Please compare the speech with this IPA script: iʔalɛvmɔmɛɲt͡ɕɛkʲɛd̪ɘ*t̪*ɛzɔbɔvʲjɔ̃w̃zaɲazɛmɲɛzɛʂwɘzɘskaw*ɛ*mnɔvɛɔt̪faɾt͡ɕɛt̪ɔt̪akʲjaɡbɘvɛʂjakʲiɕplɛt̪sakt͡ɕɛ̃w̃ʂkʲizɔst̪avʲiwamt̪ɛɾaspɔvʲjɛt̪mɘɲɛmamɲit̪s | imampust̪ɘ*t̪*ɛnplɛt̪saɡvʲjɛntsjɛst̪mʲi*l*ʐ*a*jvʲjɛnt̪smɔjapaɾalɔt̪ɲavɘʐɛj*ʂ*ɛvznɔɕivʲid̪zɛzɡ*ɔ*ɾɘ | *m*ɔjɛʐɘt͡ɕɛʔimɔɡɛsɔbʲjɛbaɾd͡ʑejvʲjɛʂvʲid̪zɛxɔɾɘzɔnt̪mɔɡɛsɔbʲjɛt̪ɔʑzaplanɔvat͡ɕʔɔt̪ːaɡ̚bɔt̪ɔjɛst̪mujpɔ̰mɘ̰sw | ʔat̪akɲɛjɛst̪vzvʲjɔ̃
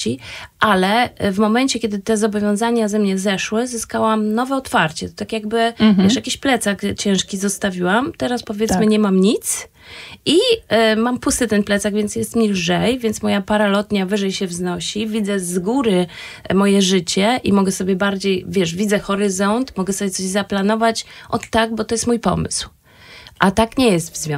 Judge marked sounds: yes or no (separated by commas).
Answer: yes, no, yes, yes, no, no, no, yes